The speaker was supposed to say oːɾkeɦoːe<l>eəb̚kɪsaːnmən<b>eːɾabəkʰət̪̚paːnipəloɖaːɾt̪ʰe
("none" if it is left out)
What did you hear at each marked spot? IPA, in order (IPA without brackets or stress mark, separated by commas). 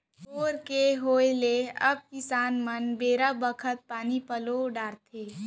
l, b